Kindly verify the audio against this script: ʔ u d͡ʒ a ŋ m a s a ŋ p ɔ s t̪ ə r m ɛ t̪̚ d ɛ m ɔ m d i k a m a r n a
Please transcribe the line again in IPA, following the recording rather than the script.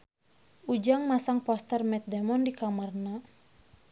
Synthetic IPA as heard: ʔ u d͡ʒ a ŋ m a s a ŋ p ɔ s t̪ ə r m ɛ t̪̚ d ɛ m ɔ n d i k a m a r n a